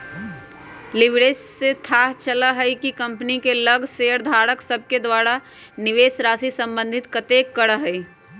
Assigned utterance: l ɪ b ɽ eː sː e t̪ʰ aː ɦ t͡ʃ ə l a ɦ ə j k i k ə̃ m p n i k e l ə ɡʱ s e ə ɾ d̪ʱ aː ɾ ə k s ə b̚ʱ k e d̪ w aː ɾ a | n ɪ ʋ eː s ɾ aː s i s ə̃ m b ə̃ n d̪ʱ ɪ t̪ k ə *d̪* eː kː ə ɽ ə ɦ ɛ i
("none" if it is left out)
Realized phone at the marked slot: t̪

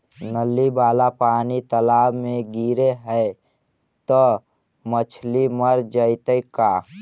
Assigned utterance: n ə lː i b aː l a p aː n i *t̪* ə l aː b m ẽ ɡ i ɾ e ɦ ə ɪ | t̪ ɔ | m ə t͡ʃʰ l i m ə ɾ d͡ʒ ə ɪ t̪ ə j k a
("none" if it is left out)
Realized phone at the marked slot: t̪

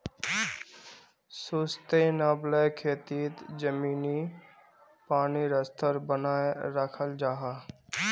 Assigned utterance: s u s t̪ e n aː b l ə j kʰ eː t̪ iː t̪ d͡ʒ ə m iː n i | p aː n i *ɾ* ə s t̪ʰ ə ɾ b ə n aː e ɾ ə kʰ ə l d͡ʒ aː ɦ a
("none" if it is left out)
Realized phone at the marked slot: ɾ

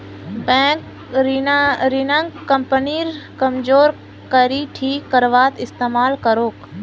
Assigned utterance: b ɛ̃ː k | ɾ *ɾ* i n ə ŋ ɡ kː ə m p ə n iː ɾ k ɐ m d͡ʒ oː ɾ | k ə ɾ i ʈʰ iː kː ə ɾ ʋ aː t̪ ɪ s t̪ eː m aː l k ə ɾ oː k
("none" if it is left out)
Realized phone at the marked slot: ɾ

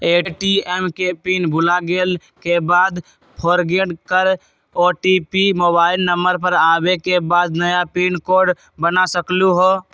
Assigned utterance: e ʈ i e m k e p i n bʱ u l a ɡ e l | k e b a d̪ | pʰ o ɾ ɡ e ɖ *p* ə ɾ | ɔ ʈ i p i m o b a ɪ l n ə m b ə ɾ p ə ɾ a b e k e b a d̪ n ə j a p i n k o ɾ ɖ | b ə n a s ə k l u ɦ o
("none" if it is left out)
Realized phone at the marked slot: k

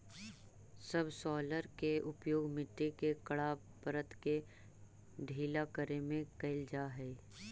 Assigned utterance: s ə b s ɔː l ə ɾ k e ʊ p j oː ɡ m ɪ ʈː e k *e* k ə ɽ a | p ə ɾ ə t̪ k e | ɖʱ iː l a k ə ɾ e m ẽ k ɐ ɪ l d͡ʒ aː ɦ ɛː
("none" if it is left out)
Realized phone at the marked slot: e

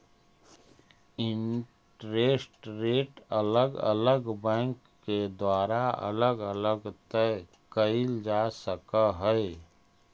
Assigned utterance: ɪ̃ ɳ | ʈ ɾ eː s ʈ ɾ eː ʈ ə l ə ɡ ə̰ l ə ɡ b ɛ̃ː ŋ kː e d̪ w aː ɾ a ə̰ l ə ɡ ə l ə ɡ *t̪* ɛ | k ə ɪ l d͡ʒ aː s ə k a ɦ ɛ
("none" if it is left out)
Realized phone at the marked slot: t̪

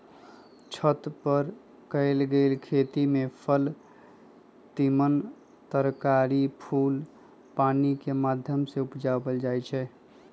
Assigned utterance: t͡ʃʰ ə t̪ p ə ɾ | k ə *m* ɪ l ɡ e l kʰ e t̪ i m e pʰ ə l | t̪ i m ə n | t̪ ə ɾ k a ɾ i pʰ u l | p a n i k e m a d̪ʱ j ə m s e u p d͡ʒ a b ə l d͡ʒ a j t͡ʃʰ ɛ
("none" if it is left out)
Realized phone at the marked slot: none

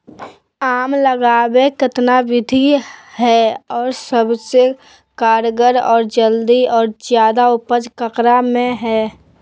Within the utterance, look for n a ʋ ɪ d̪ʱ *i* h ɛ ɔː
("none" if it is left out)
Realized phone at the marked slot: i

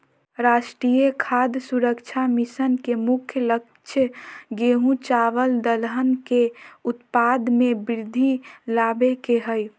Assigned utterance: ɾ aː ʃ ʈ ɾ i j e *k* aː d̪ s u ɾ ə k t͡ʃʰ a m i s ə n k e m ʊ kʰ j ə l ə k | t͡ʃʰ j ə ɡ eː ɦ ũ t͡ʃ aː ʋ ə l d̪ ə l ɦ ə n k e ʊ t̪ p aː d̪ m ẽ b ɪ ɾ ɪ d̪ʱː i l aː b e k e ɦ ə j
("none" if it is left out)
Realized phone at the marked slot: kʰ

